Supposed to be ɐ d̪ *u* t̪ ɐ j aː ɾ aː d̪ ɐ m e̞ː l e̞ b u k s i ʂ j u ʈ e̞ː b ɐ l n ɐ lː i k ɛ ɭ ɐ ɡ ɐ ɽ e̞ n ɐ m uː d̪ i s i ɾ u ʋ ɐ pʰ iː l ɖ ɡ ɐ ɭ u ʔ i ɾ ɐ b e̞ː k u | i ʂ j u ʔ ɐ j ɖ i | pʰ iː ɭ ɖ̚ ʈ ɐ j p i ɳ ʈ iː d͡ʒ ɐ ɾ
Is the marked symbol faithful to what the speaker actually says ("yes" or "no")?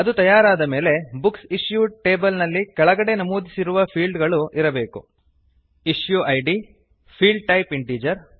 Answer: yes